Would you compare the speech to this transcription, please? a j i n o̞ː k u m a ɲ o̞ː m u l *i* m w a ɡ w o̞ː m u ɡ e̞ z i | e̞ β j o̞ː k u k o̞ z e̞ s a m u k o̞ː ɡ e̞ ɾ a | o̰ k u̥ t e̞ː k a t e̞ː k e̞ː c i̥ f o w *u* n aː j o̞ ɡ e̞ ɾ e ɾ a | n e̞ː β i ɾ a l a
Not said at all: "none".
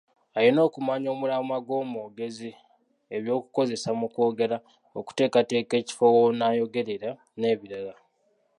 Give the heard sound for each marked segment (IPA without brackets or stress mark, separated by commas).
a, o